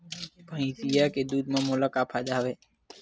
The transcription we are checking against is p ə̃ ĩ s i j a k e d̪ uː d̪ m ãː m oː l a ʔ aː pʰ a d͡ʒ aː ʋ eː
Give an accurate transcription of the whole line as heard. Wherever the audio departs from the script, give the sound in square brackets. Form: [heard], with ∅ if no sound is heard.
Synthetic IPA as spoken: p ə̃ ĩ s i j a k e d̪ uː d̪ m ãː m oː l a [k] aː pʰ a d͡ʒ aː ʋ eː